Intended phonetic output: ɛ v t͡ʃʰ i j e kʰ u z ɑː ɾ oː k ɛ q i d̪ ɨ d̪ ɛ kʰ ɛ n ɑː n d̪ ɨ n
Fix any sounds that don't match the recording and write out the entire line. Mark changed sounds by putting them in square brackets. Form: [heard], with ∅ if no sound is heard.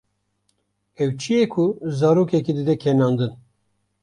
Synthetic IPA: ɛ [w] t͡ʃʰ i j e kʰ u z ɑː ɾ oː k ɛ [k] i d̪ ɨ d̪ ɛ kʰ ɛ n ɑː n d̪ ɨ n